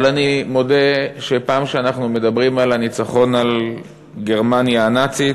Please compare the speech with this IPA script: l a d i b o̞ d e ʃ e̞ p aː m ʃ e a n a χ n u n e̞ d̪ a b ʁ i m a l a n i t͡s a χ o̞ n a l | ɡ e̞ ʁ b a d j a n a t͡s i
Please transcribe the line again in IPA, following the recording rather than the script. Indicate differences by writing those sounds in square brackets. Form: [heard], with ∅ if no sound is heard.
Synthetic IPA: l a [n] i [m] o̞ d e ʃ e̞ p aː m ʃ e a n a χ n u [m] e̞ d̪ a b ʁ i m a l a n i t͡s a χ o̞ n a l | ɡ e̞ ʁ [m] a [n] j a n a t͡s i